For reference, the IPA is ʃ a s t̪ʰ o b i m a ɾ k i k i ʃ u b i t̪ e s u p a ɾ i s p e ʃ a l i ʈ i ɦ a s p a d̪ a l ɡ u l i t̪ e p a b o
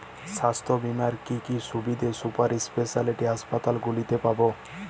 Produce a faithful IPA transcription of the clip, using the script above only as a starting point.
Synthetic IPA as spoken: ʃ a s t̪ʰ o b i m a ɾ k i k i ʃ u b i d̪ e s u p a ɾ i s p e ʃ a l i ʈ i ɦ a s p a t̪ a l ɡ u l i t̪ e p a b o